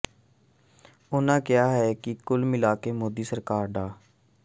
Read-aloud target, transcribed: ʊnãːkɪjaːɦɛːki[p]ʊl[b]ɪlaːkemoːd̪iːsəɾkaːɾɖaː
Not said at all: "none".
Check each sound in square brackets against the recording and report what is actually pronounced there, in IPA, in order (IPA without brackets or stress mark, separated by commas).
k, m